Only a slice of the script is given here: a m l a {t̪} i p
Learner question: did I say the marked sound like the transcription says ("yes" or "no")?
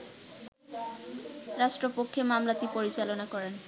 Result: yes